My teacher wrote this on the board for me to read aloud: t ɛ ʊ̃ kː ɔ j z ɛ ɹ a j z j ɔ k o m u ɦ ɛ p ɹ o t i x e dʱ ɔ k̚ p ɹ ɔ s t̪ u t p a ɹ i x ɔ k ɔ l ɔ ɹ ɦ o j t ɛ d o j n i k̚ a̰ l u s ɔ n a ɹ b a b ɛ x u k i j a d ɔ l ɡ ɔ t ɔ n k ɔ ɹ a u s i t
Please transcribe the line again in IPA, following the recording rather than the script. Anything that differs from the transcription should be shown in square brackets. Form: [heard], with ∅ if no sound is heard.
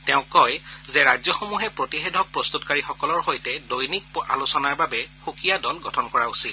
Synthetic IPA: t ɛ ʊ̃ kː ɔ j z ɛ ɹ a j z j ɔ [x] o m u ɦ ɛ p ɹ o t i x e dʱ ɔ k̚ p ɹ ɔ s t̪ u t [k] a ɹ i x ɔ k ɔ l ɔ ɹ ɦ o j t ɛ d o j n i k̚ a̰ l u s ɔ n a ɹ b a b ɛ x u k i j a d ɔ l ɡ ɔ [tʰ] ɔ n k ɔ ɹ a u s i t